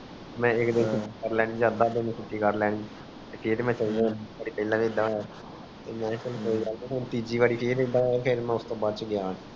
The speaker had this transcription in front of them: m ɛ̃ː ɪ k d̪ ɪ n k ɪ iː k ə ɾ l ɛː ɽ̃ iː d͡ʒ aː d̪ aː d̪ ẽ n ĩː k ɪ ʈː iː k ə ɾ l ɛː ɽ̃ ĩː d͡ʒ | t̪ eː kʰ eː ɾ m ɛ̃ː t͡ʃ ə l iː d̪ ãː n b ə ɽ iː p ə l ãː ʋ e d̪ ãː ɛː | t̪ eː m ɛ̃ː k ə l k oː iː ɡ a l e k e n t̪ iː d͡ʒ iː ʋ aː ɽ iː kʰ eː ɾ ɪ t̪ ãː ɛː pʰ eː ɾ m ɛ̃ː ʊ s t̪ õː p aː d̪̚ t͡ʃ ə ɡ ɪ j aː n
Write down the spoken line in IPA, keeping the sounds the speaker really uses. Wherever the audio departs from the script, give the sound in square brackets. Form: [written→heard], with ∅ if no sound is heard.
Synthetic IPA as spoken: m ɛ̃ː ɪ k d̪ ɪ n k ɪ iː k ə ɾ l ɛː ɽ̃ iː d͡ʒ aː d̪ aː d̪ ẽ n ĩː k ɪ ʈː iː k ə ɾ l ɛː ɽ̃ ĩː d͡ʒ | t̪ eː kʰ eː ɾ m ɛ̃ː t͡ʃ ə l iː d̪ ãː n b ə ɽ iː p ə l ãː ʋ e d̪ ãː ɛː | t̪ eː m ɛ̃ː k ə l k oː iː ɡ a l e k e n t̪ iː d͡ʒ iː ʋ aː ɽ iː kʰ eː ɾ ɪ [t̪→d̪] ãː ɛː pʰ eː ɾ m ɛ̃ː ʊ s t̪ õː [p→b] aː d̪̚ t͡ʃ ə ɡ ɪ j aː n